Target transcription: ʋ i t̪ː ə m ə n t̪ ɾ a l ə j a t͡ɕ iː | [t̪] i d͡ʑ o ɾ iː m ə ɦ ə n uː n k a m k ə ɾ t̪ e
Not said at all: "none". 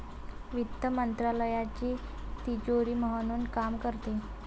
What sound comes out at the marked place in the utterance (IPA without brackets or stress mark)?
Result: t̪